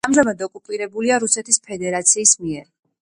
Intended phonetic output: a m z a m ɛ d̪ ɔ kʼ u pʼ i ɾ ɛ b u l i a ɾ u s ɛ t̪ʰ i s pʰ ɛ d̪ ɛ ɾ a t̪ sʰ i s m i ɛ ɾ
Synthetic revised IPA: a m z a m a d̪ ɔ kʼ u pʼ i ɾ ɛ b u l i a ɾ u s ɛ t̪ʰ i s pʰ ɛ d̪ ɛ ɾ a t̪ sʰ iː s m i ɛ ɾ